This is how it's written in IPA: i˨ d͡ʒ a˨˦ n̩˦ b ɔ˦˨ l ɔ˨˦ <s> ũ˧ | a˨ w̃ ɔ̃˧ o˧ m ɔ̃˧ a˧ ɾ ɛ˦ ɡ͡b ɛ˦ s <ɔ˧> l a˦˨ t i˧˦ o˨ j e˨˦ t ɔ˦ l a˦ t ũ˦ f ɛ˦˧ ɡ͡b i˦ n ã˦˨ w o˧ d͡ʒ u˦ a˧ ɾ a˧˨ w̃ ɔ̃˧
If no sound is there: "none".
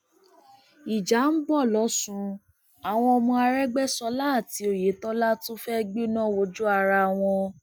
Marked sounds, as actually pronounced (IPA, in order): s, ɔ˧

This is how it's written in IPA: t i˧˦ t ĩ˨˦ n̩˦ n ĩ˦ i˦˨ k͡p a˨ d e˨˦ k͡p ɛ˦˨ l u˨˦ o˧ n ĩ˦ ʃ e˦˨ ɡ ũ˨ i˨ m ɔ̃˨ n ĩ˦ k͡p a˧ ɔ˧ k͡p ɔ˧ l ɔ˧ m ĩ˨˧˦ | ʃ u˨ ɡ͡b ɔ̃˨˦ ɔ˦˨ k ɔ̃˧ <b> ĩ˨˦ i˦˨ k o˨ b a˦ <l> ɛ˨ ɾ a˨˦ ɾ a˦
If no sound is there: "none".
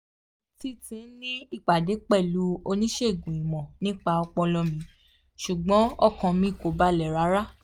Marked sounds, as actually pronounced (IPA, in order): m, l

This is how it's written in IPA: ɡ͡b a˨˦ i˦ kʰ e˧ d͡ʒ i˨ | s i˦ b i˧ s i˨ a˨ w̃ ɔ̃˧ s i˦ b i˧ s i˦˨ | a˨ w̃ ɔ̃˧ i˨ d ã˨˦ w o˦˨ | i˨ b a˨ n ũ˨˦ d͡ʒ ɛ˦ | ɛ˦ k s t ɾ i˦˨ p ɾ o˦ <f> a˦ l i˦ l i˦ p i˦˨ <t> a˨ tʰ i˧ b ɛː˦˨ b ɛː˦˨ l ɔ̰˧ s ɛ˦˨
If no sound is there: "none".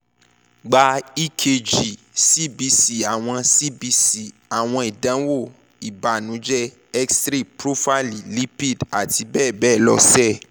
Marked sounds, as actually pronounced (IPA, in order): f, d

